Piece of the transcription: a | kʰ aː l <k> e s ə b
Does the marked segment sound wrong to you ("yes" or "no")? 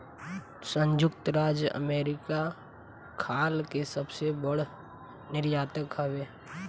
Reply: no